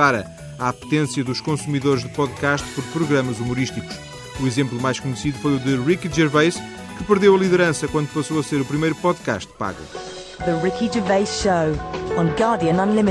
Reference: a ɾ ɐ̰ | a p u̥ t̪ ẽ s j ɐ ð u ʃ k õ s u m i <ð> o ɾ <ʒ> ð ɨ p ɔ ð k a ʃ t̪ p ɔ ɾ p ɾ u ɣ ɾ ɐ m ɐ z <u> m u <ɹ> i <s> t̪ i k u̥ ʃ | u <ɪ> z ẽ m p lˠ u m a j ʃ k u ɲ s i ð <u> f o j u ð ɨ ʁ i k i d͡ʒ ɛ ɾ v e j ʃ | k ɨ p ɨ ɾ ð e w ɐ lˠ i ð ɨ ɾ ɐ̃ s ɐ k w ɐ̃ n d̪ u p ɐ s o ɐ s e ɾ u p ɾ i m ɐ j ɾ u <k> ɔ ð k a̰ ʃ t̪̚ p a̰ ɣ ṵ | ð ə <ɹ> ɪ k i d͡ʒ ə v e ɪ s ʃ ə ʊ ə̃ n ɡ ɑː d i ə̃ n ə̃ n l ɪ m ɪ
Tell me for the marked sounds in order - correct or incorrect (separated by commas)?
correct, correct, correct, incorrect, incorrect, incorrect, correct, incorrect, correct